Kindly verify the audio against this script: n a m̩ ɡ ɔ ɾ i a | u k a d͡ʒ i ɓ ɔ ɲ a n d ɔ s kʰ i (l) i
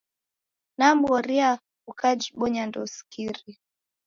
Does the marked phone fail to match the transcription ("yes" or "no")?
yes